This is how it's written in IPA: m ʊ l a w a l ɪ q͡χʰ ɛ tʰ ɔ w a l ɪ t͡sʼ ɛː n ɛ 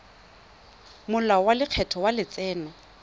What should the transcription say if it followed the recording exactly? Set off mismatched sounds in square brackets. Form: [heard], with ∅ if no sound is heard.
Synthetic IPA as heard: m ʊ l a w a l ɪ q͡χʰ ɛ tʰ ɔ w a l ɪ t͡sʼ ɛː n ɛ